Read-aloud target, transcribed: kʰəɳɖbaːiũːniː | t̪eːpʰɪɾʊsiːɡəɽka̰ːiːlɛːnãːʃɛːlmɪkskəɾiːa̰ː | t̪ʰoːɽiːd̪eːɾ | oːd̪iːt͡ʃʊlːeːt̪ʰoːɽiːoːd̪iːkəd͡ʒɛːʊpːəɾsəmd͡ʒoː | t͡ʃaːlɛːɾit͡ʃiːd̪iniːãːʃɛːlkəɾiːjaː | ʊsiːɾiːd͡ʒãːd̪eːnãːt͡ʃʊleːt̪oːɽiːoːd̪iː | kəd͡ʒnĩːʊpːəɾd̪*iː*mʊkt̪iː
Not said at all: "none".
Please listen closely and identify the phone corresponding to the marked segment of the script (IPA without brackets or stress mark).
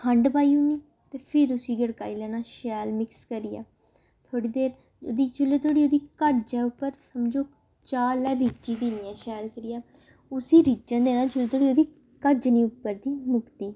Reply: iː